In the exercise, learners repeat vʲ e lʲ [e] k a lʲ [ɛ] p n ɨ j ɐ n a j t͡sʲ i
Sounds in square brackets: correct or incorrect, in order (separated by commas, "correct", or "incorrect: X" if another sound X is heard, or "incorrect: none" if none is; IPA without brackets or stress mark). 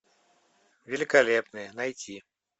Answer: incorrect: i, correct